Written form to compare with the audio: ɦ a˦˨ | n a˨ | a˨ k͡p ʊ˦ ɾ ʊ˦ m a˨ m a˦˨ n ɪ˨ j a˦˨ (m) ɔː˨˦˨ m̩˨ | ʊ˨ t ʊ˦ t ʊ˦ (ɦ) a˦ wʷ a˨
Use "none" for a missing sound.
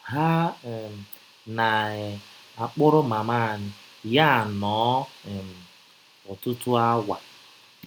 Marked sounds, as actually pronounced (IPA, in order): n, none

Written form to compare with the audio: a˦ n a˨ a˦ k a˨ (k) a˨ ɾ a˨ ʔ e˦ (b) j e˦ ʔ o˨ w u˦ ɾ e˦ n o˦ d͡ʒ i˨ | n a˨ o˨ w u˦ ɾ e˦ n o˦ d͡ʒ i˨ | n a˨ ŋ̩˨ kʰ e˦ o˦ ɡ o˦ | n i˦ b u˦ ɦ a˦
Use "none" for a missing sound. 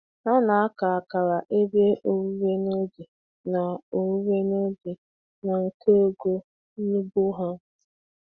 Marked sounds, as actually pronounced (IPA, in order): k, b

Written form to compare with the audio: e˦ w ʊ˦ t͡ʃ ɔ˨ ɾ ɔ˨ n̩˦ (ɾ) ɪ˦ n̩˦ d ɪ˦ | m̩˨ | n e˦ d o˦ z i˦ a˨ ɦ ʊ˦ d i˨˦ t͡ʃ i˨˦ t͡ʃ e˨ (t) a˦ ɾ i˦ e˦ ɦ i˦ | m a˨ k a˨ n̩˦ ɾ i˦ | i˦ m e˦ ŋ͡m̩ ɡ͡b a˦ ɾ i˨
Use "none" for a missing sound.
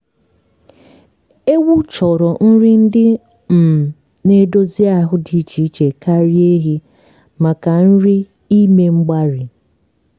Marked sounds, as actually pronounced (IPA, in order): ɾ, k

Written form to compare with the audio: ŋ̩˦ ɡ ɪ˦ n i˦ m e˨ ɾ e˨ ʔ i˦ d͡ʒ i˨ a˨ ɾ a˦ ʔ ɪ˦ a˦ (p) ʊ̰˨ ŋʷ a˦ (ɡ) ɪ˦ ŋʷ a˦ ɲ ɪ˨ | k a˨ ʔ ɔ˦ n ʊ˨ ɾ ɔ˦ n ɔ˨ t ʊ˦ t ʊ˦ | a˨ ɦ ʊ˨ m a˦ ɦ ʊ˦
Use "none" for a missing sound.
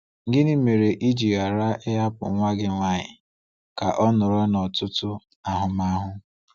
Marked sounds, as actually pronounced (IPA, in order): p, ɡ

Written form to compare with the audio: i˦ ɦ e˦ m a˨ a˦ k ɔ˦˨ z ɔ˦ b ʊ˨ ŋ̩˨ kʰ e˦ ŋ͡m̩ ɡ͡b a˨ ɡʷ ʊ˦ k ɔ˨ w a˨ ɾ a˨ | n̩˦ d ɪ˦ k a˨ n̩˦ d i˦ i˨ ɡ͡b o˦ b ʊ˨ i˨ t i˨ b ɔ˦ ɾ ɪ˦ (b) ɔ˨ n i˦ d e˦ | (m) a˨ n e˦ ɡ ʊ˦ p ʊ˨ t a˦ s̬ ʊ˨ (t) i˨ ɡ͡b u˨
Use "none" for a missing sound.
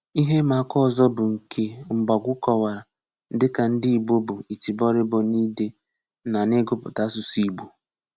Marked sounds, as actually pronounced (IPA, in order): b, n, s

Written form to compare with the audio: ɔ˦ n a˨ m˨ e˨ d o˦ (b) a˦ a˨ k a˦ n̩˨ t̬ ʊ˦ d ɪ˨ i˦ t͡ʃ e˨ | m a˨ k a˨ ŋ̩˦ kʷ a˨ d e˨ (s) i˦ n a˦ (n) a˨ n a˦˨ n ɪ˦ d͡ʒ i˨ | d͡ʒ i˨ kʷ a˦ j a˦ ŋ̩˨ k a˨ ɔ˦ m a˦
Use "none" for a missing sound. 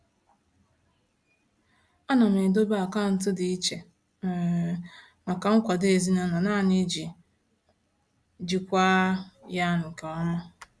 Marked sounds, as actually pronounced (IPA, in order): b, z, n

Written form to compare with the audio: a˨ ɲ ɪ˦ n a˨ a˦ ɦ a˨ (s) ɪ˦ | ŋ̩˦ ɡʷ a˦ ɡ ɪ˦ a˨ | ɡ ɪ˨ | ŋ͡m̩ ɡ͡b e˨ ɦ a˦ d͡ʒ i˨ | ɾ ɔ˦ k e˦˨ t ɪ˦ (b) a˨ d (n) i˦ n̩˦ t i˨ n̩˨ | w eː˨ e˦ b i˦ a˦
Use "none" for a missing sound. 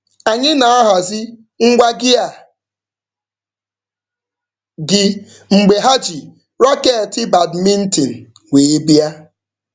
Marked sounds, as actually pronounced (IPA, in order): z, b, m

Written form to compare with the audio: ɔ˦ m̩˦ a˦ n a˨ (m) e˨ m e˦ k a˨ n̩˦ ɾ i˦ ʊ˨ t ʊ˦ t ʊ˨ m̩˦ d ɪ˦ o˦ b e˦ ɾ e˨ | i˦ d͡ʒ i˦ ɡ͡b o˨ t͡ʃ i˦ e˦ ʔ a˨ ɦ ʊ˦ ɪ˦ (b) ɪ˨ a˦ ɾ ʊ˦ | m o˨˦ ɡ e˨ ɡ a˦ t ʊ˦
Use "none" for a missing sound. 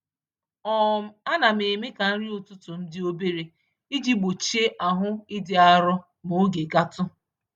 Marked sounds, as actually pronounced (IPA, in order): m, d

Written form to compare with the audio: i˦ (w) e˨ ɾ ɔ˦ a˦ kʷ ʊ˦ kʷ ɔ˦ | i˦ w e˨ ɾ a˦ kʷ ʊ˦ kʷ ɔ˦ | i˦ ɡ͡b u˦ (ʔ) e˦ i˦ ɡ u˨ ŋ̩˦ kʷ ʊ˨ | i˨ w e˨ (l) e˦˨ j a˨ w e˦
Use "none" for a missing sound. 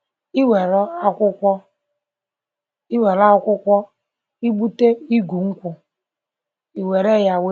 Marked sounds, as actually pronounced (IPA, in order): w, t, ɾ

